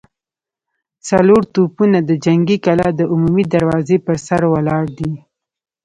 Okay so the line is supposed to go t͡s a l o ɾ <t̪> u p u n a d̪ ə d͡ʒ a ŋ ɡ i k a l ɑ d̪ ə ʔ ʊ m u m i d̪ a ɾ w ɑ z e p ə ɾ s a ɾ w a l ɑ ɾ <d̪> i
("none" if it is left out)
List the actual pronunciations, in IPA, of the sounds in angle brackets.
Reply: t̪, d̪

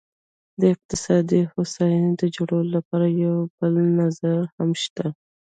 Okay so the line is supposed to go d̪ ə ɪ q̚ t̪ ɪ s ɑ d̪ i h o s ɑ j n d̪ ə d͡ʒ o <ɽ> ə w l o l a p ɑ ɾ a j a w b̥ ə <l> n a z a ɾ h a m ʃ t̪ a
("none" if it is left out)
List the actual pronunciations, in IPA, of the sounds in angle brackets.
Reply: ɽ, l

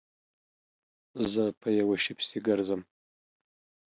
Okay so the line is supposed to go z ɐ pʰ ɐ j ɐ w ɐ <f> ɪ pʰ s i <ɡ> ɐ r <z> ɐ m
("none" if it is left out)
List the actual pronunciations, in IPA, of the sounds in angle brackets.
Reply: ʃ, ɡ, z

